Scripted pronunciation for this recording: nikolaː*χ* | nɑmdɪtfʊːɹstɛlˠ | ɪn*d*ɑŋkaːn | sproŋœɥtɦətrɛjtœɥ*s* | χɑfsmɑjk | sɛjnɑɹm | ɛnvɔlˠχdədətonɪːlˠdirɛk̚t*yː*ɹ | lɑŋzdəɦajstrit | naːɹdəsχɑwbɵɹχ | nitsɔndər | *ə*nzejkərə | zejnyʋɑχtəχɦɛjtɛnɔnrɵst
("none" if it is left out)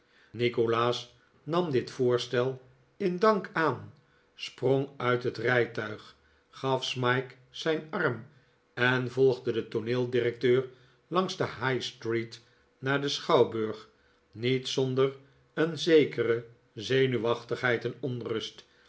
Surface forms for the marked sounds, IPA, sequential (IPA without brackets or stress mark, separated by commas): s, d, χ, øː, ə